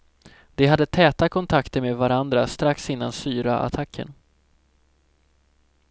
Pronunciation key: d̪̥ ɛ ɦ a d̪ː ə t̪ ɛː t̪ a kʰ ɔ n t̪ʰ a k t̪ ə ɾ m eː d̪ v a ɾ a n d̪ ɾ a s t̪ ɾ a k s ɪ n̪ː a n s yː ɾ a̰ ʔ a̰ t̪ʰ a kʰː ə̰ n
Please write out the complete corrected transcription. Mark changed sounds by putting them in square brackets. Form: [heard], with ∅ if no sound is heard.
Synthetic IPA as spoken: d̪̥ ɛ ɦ a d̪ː ə [t̪ʰ] ɛː t̪ a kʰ ɔ n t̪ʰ a k t̪ ə ɾ m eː d̪ v a ɾ a n d̪ ɾ a s t̪ ɾ a k s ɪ n̪ː a n s yː ɾ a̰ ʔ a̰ t̪ʰ a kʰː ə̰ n